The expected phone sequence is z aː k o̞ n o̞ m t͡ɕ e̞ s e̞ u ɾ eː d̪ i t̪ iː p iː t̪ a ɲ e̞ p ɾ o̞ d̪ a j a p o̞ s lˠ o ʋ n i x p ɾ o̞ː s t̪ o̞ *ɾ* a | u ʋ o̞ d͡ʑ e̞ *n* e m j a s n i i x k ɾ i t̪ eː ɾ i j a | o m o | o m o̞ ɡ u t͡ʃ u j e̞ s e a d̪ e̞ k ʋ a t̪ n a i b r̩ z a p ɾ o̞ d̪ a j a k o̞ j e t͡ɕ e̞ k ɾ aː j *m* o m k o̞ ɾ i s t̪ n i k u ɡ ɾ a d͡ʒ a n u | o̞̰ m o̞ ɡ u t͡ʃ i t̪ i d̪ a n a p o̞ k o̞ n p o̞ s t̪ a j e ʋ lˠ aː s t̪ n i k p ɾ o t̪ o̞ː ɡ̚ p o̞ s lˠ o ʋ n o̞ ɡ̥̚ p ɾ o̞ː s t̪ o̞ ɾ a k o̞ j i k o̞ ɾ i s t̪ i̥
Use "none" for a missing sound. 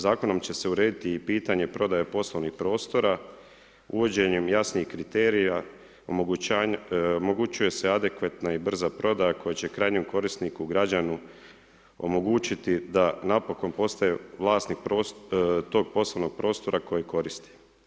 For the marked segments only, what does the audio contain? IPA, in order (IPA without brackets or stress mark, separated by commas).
ɾ, ɲ, ɲ